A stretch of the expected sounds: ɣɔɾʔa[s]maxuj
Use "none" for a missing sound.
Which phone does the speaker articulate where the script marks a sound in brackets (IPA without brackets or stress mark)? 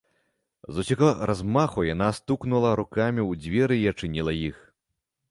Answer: z